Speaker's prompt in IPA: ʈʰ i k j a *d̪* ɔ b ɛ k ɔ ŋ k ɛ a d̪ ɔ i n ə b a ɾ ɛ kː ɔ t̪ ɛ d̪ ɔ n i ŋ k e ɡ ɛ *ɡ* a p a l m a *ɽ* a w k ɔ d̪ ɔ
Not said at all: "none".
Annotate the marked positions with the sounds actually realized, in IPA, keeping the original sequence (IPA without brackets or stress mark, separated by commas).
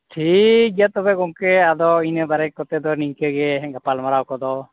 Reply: t̪, ɡ, ɾ